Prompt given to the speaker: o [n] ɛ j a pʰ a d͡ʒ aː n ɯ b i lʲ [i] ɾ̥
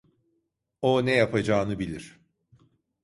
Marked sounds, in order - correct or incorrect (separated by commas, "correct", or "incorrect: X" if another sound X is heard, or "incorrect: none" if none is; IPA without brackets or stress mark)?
correct, correct